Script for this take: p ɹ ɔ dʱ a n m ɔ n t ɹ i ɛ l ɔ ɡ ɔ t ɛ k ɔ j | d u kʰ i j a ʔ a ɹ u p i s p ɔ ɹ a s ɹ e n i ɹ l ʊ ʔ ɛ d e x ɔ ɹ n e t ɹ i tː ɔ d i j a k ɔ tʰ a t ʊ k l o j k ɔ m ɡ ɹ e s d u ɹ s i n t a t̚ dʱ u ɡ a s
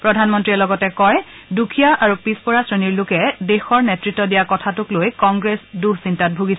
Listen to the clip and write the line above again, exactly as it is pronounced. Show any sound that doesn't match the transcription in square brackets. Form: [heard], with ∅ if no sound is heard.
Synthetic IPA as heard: p ɹ ɔ dʱ a n m ɔ n t ɹ i ɛ l ɔ ɡ ɔ t ɛ k ɔ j | d u kʰ i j a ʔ a ɹ u p i s p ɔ ɹ a s ɹ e n i ɹ l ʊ [k] ɛ d e x ɔ ɹ n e t ɹ i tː ɔ d i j a k ɔ tʰ a t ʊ k l o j k ɔ [ŋ] ɡ ɹ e s d u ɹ s i n t a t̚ [bʱ] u ɡ [i] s